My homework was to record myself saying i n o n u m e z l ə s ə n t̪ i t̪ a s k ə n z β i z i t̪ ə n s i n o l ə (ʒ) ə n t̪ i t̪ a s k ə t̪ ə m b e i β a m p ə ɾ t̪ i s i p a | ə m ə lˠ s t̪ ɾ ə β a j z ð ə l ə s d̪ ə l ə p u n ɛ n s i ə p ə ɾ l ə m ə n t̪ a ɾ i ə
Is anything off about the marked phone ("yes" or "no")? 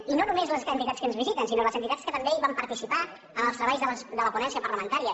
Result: yes